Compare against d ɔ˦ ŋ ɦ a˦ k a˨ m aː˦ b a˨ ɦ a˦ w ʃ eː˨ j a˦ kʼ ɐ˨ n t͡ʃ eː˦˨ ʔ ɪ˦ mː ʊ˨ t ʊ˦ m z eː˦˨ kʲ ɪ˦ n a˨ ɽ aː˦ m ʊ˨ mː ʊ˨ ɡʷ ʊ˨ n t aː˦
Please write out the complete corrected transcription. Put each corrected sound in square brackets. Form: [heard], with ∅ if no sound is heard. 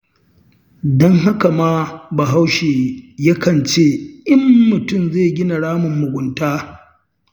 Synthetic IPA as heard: d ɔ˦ ŋ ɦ a˦ k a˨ m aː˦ b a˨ ɦ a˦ w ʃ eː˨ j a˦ [k] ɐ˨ n t͡ʃ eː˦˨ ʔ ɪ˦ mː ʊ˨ t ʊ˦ m z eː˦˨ [ɡʲ] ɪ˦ n a˨ ɽ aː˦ m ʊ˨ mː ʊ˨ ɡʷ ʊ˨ n t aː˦